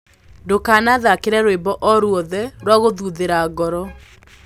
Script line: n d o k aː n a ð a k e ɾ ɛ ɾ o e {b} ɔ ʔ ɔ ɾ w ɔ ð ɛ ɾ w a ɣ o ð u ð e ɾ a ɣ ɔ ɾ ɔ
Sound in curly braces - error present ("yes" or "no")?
no